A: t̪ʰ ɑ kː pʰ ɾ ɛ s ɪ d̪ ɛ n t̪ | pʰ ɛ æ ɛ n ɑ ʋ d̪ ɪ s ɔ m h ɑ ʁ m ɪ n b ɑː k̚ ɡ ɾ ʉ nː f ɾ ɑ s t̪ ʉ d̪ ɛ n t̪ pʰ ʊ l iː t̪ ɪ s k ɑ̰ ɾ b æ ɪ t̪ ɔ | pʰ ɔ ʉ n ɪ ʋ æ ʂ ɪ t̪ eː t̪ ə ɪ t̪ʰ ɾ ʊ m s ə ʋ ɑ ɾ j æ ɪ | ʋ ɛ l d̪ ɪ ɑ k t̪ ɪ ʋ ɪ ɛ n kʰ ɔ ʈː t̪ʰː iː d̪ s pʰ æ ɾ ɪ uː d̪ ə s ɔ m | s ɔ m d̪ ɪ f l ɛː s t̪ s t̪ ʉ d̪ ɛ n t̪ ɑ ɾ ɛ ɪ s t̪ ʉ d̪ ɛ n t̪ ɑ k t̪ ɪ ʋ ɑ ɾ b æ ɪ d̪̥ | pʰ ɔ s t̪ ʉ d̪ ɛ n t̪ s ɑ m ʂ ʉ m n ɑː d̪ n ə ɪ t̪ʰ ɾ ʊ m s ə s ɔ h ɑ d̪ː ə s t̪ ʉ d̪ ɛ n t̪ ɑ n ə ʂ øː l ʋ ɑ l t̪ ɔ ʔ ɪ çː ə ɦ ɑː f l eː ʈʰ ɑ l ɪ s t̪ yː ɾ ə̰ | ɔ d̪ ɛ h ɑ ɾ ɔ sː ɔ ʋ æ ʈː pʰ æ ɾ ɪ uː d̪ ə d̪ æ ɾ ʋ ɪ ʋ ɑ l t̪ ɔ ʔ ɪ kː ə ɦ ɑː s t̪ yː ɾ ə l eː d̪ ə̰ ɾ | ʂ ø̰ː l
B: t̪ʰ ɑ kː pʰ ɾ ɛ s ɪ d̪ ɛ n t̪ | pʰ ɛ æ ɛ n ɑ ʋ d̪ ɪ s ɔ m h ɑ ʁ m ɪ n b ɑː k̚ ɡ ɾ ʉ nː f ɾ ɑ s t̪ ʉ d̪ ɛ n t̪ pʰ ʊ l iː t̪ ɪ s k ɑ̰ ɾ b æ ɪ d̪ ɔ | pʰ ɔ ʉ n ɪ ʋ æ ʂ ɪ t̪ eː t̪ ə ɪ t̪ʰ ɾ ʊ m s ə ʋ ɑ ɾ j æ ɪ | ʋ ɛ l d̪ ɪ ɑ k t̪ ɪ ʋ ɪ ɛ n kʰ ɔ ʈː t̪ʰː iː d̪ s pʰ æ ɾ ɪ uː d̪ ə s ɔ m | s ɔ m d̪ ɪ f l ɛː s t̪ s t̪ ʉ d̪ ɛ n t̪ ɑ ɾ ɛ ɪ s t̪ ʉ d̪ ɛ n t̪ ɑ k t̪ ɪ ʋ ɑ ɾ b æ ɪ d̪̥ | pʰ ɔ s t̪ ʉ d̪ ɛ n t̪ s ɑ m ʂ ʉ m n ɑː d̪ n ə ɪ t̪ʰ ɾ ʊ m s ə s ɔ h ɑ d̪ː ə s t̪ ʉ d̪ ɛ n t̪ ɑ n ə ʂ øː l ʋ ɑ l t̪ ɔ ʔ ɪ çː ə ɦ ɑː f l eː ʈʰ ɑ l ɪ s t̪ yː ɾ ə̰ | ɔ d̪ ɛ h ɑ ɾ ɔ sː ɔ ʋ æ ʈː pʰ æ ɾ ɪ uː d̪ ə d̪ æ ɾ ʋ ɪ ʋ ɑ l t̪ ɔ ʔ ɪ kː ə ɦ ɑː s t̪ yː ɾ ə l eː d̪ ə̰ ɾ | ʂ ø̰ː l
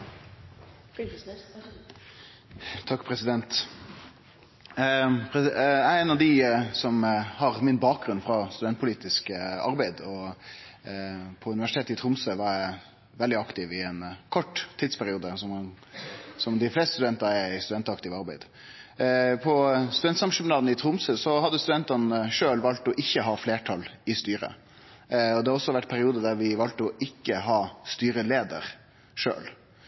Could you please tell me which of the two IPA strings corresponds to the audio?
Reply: B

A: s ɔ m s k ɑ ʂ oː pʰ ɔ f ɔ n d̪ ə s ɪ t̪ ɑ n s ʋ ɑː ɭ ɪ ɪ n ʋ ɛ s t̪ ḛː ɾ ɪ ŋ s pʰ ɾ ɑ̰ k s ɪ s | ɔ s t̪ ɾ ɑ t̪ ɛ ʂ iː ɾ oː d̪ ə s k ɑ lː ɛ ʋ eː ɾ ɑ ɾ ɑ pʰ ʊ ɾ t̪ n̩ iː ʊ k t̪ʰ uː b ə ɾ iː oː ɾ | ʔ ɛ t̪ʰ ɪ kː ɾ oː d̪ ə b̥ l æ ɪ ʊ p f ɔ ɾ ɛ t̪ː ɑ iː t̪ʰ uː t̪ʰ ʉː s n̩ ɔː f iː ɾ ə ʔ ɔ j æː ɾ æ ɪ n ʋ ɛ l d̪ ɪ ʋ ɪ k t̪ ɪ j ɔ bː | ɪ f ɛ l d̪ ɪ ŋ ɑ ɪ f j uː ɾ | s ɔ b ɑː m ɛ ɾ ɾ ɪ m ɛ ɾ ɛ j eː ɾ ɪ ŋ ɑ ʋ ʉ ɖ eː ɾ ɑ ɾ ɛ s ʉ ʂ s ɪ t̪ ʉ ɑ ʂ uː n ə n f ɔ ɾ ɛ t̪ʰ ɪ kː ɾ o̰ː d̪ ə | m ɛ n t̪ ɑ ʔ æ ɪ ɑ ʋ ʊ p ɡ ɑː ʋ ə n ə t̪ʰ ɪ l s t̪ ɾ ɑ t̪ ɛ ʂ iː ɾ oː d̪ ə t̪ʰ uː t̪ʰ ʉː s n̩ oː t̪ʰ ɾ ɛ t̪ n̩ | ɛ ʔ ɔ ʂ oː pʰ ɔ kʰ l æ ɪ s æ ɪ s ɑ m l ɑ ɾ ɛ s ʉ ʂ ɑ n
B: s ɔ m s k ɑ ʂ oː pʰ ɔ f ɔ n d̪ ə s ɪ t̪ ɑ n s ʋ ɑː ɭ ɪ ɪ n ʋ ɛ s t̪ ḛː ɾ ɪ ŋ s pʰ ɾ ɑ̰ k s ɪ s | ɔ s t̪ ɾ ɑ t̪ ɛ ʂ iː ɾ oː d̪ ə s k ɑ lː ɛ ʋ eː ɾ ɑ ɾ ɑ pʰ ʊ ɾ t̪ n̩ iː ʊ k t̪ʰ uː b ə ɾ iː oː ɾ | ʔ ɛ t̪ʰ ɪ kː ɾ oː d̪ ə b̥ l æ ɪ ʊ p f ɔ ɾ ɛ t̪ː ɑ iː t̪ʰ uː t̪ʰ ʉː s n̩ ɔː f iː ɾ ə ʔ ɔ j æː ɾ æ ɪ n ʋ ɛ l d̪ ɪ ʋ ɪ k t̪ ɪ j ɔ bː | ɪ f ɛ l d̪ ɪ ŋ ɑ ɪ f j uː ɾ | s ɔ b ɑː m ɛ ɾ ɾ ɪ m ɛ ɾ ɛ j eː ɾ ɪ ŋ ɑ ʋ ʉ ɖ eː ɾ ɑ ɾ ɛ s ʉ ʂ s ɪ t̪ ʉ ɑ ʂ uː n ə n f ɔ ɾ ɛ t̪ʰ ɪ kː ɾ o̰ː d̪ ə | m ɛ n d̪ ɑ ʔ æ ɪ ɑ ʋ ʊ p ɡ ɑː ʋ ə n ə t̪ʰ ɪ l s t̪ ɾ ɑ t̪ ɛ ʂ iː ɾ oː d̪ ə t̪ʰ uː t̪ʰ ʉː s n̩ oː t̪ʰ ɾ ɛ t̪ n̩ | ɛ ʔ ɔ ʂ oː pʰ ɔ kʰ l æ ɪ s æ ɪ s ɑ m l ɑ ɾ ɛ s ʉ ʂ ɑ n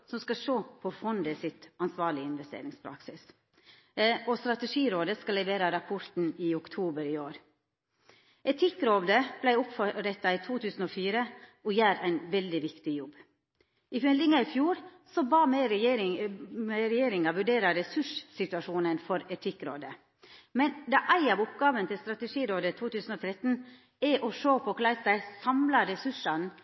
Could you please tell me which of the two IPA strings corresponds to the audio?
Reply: B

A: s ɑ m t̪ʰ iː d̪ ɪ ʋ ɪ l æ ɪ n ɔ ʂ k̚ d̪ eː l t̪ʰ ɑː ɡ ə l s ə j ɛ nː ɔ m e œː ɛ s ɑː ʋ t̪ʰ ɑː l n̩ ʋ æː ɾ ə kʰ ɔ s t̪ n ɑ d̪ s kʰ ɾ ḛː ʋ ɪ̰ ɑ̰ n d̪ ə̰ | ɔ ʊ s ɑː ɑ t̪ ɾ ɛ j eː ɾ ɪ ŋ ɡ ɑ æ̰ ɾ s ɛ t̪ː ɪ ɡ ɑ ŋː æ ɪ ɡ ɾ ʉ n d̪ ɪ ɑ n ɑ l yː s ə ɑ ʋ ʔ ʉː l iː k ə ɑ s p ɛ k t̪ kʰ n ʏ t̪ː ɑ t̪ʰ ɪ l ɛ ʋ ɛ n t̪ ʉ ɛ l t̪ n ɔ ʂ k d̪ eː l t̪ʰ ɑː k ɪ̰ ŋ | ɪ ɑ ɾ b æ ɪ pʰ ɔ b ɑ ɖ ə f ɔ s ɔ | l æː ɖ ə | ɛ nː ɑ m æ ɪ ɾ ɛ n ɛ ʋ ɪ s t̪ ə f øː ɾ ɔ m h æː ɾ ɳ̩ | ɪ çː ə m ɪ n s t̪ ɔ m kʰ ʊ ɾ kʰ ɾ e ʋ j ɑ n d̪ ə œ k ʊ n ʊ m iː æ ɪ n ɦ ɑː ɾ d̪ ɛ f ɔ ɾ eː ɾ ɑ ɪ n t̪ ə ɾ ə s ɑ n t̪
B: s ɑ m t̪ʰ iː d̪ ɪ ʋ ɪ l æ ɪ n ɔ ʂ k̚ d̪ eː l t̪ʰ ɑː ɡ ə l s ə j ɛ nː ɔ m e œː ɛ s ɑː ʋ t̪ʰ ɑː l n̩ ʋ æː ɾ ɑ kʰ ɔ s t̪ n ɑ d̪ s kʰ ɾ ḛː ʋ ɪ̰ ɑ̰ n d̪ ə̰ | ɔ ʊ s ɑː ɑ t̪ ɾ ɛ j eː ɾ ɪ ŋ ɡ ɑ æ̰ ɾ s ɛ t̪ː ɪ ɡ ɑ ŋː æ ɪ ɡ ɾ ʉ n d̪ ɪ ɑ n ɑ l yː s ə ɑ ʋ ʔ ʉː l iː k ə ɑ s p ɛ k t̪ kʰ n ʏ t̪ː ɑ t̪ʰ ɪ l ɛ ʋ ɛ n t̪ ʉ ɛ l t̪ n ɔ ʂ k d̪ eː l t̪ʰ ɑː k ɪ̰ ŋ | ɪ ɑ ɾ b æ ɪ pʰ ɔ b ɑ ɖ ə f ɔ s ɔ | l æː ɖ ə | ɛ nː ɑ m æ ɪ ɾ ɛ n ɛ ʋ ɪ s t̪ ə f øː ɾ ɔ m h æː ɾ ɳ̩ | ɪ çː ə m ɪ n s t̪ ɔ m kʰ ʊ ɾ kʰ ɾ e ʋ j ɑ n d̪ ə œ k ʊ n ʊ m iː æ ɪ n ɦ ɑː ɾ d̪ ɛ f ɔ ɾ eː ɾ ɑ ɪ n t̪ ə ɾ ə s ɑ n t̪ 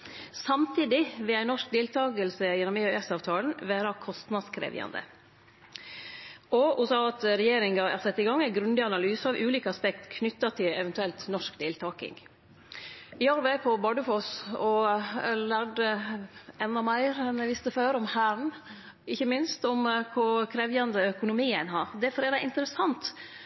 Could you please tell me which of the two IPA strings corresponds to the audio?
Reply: B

